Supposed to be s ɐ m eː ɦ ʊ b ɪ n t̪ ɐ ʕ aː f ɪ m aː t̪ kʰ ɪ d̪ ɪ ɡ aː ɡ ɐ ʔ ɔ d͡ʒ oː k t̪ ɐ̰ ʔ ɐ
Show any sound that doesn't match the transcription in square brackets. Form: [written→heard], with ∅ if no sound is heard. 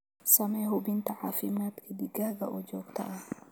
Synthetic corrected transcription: s ɐ m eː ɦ ʊ b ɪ n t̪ ɐ ʕ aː f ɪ m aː t̪ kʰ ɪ d̪ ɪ ɡ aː ɡ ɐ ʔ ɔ d͡ʒ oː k t̪ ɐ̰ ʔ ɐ